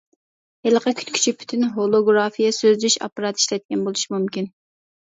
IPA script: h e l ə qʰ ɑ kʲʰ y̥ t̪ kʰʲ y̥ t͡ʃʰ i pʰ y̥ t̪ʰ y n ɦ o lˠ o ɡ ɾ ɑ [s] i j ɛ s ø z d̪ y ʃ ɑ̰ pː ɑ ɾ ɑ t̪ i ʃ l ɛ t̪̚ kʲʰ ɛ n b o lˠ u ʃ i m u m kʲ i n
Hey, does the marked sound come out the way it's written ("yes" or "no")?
no